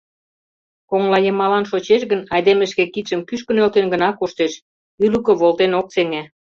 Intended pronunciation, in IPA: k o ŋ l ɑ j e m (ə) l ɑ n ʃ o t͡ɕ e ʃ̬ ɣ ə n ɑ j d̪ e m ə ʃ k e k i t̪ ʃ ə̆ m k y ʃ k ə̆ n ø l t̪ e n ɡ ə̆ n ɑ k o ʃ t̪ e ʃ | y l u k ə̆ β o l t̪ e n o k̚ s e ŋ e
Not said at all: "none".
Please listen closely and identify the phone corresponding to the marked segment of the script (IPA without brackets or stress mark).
ɑ